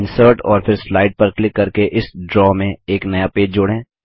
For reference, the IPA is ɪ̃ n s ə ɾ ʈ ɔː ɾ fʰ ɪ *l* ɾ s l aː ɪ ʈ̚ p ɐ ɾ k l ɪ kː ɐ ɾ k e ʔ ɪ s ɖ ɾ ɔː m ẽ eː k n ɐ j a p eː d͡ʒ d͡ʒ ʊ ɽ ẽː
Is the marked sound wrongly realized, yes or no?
yes